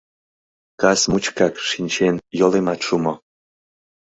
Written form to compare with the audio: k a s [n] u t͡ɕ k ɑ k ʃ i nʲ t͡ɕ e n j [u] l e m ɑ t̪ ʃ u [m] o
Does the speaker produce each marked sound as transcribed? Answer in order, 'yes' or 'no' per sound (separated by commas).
no, no, yes